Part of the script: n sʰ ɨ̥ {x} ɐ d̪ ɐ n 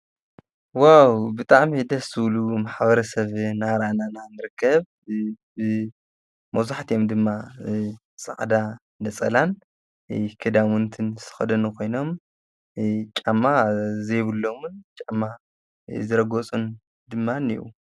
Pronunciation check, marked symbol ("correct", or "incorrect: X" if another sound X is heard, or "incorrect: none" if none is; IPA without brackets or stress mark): correct